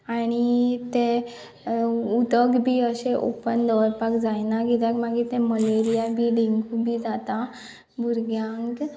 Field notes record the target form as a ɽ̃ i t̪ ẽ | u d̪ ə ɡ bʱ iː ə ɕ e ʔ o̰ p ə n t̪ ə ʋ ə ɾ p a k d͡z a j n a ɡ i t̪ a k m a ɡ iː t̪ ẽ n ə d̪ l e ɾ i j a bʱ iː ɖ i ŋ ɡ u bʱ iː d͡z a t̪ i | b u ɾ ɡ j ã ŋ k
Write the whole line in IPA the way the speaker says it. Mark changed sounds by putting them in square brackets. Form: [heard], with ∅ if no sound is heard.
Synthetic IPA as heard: a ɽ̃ i t̪ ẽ | u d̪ ə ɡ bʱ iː ə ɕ e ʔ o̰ p ə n [d̪] ə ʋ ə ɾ p a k d͡z a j n a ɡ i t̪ a k m a ɡ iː t̪ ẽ [m] ə [∅] l e ɾ i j a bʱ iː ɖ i ŋ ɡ u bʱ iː d͡z a t̪ [a] | b u ɾ ɡ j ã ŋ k